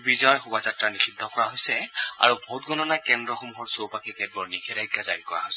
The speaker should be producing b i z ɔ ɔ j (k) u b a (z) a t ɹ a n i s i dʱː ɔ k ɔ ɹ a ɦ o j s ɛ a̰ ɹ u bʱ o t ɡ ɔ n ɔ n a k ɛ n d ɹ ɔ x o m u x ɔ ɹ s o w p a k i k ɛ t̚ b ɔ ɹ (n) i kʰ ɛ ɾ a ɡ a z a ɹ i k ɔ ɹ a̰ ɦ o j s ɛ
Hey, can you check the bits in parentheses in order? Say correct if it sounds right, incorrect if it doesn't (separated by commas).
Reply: incorrect, correct, correct